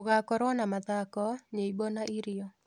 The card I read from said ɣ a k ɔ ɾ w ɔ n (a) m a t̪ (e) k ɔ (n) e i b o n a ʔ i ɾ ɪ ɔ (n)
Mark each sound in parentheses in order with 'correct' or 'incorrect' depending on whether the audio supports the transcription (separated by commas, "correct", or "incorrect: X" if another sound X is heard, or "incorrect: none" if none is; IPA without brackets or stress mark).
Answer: correct, incorrect: a, incorrect: ɲ, incorrect: none